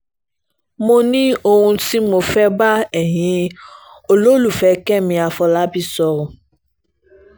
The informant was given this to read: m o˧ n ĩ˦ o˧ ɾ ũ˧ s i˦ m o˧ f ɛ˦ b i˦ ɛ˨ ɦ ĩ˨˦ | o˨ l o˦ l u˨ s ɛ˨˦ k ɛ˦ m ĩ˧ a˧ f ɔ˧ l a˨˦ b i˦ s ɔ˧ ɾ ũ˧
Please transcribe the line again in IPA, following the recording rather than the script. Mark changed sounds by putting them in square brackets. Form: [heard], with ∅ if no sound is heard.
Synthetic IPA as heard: m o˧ n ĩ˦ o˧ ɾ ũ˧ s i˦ m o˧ f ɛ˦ b [a˦] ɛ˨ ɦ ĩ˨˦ | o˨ l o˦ l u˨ [f] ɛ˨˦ k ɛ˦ m ĩ˧ a˧ f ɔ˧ l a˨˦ b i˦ s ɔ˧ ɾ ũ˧

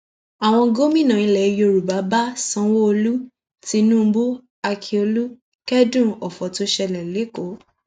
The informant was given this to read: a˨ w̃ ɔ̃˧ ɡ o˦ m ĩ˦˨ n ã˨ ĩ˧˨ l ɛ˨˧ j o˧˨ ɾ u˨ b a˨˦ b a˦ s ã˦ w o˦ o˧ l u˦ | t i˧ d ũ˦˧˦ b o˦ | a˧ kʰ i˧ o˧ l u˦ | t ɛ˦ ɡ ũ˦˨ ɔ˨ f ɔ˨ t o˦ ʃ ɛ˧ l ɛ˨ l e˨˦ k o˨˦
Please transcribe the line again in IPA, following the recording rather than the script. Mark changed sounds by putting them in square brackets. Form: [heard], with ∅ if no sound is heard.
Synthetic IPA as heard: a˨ w̃ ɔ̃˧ ɡ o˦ m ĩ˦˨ n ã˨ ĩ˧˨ l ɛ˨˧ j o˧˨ ɾ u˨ b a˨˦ b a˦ s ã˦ w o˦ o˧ l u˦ | t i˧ [n] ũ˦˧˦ b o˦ | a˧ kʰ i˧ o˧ l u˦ | [k] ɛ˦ [d] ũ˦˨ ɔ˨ f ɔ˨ t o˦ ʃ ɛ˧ l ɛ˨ l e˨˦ k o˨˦

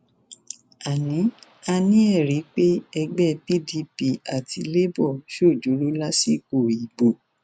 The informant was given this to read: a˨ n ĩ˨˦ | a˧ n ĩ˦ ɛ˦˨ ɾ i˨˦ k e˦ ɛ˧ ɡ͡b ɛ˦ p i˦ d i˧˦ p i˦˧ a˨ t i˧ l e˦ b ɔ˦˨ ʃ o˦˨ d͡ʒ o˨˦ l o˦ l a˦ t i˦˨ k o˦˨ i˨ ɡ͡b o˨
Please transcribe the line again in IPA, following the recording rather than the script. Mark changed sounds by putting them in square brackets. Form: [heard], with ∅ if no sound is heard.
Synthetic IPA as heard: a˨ n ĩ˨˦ | a˧ n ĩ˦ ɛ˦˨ ɾ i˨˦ [k͡p] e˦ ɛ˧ ɡ͡b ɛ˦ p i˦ d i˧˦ p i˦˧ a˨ t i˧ l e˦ b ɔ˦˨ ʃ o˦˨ d͡ʒ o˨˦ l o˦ l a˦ [s] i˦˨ k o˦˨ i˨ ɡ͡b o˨

